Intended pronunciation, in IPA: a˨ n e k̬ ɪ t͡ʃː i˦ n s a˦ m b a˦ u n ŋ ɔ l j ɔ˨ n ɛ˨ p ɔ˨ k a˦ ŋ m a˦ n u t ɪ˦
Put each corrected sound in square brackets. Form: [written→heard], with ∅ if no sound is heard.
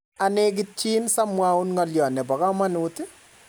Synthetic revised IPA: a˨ n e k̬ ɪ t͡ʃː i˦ n s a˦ m [b→w] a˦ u n ŋ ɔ l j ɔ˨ n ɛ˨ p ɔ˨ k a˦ [ŋ→∅] m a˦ n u t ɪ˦